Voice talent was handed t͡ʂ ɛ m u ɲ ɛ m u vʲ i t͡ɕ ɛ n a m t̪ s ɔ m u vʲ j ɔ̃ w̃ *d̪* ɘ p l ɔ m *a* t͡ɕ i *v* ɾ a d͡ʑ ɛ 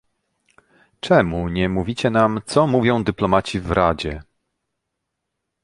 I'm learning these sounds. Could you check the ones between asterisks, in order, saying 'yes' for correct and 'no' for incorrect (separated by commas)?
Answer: yes, yes, yes